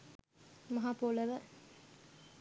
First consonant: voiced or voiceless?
voiced